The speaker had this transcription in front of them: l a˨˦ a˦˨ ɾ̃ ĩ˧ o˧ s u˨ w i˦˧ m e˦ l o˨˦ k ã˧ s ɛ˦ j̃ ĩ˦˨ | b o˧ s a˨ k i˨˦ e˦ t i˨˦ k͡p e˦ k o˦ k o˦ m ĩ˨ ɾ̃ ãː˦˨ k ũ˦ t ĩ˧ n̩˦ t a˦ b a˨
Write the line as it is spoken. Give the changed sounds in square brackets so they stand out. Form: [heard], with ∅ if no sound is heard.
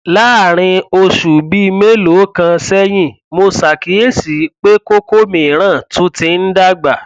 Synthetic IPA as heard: l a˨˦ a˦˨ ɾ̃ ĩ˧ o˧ [ʃ] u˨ [b] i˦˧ m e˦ l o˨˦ k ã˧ s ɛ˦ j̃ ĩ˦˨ | [m] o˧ s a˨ k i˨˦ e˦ [s] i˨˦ k͡p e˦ k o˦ k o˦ m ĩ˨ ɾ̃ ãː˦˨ [t] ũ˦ t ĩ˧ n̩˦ [d] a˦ [ɡ͡b] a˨